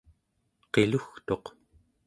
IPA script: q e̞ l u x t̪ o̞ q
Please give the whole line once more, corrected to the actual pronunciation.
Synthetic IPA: q e̞ l u x t̪ o̞ q